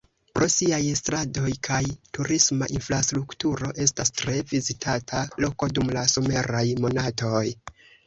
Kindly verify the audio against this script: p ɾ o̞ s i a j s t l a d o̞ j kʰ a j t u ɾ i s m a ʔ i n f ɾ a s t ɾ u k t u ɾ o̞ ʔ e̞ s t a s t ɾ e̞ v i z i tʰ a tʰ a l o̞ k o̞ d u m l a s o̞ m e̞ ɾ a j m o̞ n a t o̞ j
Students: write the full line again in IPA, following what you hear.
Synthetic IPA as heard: p ɾ o̞ s i a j s t ɾ a d o̞ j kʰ a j t u ɾ i s m a ʔ i n f ɾ a s t ɾ u k t u ɾ o̞ ʔ e̞ s t a s t ɾ e̞ v i z i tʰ a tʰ a l o̞ k o̞ d u m l a s o̞ m e̞ ɾ a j m o̞ n a t o̞ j